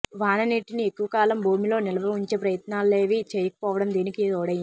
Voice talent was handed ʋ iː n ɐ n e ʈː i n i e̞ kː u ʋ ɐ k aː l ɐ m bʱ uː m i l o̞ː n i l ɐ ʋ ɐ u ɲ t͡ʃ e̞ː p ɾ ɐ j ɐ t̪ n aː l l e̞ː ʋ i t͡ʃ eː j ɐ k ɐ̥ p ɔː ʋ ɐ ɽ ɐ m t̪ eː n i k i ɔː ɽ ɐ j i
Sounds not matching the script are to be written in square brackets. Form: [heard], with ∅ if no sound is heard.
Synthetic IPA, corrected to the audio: ʋ [aː] n ɐ n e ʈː i n i e̞ kː u ʋ ɐ k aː l ɐ m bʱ uː m i l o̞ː n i l ɐ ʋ ɐ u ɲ t͡ʃ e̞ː p ɾ ɐ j ɐ t̪ n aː l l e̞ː ʋ i t͡ʃ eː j ɐ k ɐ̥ p ɔː ʋ ɐ ɽ ɐ m [d̪] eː n i k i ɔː ɽ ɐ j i

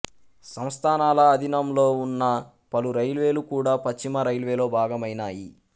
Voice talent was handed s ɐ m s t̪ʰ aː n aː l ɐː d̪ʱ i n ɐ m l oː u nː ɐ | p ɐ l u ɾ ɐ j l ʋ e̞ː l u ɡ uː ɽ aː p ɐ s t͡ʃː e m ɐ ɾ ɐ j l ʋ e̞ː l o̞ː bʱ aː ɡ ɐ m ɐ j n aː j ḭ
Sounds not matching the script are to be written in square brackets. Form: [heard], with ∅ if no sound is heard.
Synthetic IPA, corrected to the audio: s ɐ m s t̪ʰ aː n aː l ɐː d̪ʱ i n ɐ m l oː u nː ɐ | p ɐ l u ɾ ɐ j l ʋ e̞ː l u [k] uː ɽ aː p ɐ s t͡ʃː [i] m ɐ ɾ ɐ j l ʋ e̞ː l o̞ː bʱ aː ɡ ɐ m ɐ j n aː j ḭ

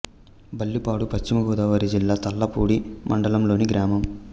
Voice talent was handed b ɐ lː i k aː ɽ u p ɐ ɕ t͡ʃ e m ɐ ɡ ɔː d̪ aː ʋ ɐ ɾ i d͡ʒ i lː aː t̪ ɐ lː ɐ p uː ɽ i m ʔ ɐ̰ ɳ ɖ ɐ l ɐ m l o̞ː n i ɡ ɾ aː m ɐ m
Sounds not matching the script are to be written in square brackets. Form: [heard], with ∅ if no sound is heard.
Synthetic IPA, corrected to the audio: b ɐ lː i [p] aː ɽ u p ɐ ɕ t͡ʃ [i] m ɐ ɡ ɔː d̪ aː ʋ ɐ ɾ i d͡ʒ i lː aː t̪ ɐ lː ɐ p uː ɽ i m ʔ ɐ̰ ɳ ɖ ɐ l ɐ m l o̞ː n i ɡ ɾ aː m ɐ m

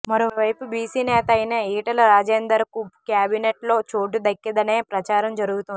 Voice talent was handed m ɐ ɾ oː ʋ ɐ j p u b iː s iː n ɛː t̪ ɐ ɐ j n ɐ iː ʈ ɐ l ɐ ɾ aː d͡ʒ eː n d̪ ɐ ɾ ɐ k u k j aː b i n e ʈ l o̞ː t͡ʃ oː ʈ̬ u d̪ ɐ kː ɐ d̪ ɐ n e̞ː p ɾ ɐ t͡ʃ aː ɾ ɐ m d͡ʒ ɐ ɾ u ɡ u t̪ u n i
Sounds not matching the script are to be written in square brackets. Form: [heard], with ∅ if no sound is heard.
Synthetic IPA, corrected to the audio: m ɐ ɾ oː ʋ ɐ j p u b iː s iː n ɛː t̪ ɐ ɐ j n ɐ iː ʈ ɐ l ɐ ɾ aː d͡ʒ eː n d̪ ɐ ɾ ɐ k u k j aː b i n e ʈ l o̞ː t͡ʃ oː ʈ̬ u d̪ ɐ kː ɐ d̪ ɐ n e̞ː p ɾ ɐ t͡ʃ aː ɾ ɐ m d͡ʒ ɐ ɾ u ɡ u t̪ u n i

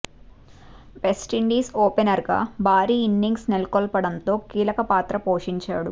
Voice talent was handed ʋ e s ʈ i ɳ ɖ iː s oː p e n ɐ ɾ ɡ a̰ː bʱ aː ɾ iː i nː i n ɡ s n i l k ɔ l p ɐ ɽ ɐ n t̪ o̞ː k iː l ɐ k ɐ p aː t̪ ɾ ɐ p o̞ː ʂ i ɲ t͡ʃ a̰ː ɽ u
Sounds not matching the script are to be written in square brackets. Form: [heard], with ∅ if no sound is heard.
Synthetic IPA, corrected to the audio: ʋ e s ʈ i ɳ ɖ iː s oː p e n ɐ ɾ ɡ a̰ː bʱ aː ɾ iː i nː i [ŋ] ɡ s n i l k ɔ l p ɐ ɽ ɐ n t̪ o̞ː k iː l ɐ k ɐ p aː t̪ ɾ ɐ p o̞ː ʂ i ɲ t͡ʃ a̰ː ɽ u

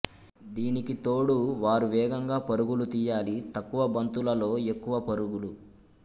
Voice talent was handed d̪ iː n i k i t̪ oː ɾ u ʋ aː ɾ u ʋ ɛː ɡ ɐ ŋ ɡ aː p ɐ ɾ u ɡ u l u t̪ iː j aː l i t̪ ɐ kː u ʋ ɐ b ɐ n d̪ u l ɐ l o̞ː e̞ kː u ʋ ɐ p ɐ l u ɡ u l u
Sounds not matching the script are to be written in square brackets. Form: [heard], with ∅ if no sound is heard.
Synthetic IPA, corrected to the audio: d̪ iː n i k i t̪ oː [ɽ] u ʋ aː ɾ u ʋ ɛː ɡ ɐ ŋ ɡ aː p ɐ ɾ u ɡ u l u t̪ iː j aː l i t̪ ɐ kː u ʋ ɐ b ɐ n [t̪] u l ɐ l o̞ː e̞ kː u ʋ ɐ p ɐ [ɾ] u ɡ u l u

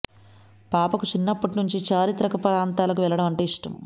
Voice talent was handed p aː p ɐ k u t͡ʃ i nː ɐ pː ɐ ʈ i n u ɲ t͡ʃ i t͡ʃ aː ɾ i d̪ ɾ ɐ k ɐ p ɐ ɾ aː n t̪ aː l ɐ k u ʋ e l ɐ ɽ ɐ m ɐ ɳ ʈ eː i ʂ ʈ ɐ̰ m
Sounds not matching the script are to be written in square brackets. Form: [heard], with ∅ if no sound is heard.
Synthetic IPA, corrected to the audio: p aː p ɐ k u t͡ʃ i nː ɐ pː ɐ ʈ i n u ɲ t͡ʃ i t͡ʃ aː ɾ i [t̪] ɾ ɐ k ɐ p ɐ ɾ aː n t̪ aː l ɐ k u ʋ [ɛ] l ɐ ɽ ɐ m ɐ ɳ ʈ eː i ʂ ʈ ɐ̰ m

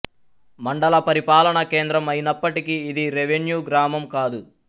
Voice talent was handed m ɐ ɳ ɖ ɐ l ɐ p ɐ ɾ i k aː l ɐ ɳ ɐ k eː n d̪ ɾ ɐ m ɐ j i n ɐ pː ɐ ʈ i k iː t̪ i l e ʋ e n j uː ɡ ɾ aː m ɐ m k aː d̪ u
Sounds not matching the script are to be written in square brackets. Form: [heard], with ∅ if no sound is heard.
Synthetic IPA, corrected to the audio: m ɐ ɳ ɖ ɐ l ɐ p ɐ ɾ i [p] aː l ɐ ɳ ɐ k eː n d̪ ɾ ɐ m ɐ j i n ɐ pː ɐ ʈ i k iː [d̪] i [ɾ] e ʋ e n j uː ɡ ɾ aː m ɐ m k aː d̪ u

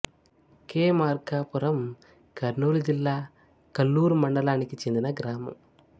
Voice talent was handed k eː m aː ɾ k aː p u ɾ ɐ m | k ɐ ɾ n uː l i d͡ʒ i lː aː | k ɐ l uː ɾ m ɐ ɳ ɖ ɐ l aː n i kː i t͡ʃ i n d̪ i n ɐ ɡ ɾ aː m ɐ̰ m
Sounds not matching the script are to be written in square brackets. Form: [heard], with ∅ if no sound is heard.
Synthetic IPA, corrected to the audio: k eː m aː ɾ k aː p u ɾ ɐ m | k ɐ ɾ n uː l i d͡ʒ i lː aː | k ɐ [lː] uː ɾ m ɐ ɳ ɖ ɐ l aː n i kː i t͡ʃ [e] n d̪ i n ɐ ɡ ɾ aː m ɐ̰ m

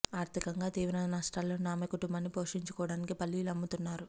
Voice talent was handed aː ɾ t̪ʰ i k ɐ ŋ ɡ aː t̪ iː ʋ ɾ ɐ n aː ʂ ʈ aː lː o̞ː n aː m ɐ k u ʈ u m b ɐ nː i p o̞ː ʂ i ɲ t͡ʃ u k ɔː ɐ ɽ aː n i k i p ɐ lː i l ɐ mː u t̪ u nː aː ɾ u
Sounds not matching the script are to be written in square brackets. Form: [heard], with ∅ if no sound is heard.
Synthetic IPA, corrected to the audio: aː ɾ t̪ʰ i k ɐ ŋ ɡ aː t̪ iː ʋ ɾ ɐ n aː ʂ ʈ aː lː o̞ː n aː m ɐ k u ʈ u m b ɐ nː i p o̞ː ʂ i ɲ t͡ʃ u k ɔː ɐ ɽ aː n i k i p ɐ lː i l ɐ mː u t̪ u nː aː ɾ u

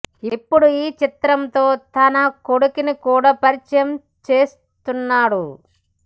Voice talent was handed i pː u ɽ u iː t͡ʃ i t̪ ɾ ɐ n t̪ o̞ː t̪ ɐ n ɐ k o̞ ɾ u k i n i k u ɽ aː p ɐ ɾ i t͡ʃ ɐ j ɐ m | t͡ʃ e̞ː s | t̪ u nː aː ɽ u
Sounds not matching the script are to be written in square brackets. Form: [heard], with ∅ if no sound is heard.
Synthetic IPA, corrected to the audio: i pː u ɽ u iː t͡ʃ i t̪ ɾ ɐ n t̪ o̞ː t̪ ɐ n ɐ k o̞ [ɽ] u k i n i k [uː] ɽ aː p ɐ ɾ i t͡ʃ ɐ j ɐ m | t͡ʃ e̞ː s | t̪ u nː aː ɽ u

